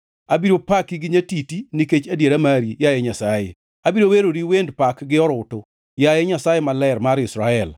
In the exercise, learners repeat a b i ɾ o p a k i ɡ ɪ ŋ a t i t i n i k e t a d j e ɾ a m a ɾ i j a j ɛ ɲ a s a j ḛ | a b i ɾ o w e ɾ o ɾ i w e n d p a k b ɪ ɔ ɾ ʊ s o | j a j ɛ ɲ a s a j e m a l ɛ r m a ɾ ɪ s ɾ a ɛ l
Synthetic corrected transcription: a b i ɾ o p a k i ɡ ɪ ɲ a t i t i n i k e t͡ʃ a d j e ɾ a m a ɾ i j a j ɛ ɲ a s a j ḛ | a b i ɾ o w e ɾ o ɾ i w e n d p a k ɡ ɪ ɔ ɾ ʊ t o | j a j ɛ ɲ a s a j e m a l ɛ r m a ɾ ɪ s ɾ a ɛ l